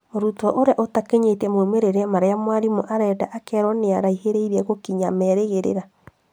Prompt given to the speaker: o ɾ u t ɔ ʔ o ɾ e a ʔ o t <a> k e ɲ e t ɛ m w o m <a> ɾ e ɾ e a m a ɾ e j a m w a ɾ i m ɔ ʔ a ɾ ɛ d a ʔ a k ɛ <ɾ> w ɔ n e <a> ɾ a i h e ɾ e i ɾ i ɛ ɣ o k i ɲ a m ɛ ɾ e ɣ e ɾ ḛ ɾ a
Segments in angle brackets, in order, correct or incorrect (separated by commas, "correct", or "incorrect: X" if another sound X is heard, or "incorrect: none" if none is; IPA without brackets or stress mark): correct, incorrect: e, correct, correct